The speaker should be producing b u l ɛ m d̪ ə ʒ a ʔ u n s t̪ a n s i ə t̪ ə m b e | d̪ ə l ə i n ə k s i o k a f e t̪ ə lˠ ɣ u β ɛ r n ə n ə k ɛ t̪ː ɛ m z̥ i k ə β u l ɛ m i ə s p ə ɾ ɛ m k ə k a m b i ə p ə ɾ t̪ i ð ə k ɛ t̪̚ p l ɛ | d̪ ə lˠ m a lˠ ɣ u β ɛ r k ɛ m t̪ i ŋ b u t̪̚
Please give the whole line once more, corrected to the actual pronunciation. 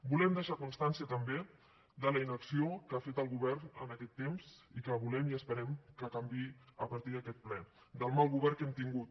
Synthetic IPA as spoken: b u l ɛ m d̪ ə ʃ a k u n s t̪ a n s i ə t̪ ə m b e | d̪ ə l ə i n ə k s i o k a f e t̪ ə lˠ ɣ u β ɛ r n ə n ə k ɛ t̪ː e m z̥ i k ə β u l ɛ m i ə s p ə ɾ ɛ m k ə k a m b i ə p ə ɾ t̪ i ð ə k ɛ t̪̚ p l ɛ | d̪ ə lˠ m a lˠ ɣ u β ɛ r k ɛ m t̪ i ŋ ɡ u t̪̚

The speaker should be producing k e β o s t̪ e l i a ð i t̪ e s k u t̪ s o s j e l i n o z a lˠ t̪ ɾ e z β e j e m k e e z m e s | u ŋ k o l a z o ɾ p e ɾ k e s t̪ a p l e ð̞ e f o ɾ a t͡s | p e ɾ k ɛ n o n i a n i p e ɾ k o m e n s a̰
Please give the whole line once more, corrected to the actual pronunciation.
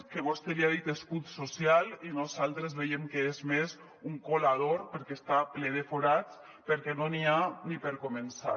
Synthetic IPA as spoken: k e β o s t̪ e l i a ð i t̪ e s k u t̪ s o s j a l i n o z a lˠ t̪ ɾ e z β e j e m k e e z m e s | u ŋ k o l a ð o ɾ p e ɾ k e s t̪ a p l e ð̞ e f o ɾ a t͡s | p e ɾ k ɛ n o n i a n i p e ɾ k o m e n s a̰

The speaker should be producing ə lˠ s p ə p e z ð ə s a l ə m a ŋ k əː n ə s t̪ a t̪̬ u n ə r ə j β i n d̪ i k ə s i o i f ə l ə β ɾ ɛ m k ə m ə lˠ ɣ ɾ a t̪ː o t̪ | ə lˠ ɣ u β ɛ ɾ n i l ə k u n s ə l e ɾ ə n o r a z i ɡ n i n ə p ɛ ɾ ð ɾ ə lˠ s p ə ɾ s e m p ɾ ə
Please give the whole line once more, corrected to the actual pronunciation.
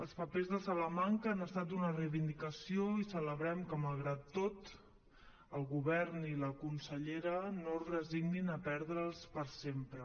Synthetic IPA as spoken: ə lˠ s p ə p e z ð ə s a l ə m a ŋ k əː n ə s t̪ a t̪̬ u n ə r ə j β i n d̪ i k ə s i o i s ə l ə β ɾ ɛ m k ə m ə lˠ ɣ ɾ a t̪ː o t̪ | ə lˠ ɣ u β ɛ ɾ n i l ə k u n s ə ʎ e ɾ ə n o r ə z i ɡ n i n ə p ɛ ɾ ð ɾ ə lˠ s p ə ɾ s e m p ɾ ə

